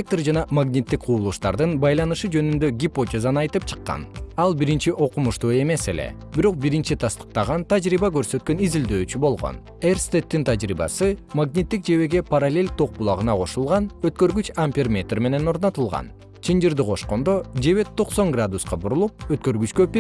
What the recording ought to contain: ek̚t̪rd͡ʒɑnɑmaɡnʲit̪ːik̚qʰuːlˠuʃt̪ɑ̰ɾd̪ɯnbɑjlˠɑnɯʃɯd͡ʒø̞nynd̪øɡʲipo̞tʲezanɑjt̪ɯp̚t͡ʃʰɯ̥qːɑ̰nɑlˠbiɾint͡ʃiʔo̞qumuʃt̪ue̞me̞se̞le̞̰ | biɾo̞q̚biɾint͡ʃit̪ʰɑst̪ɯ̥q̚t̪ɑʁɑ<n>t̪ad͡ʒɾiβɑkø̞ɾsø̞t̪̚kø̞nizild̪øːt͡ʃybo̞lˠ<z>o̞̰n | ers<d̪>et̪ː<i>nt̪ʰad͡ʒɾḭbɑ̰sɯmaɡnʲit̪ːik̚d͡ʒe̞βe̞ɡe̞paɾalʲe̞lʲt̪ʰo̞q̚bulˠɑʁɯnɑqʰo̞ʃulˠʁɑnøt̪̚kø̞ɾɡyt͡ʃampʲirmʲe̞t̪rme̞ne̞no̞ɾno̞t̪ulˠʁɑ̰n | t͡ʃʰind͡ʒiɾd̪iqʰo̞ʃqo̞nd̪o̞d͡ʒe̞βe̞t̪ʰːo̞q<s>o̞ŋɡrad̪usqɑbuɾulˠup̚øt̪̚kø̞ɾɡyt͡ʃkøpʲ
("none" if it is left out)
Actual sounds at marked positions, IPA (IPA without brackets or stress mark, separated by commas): n, ʁ, t̪, i, s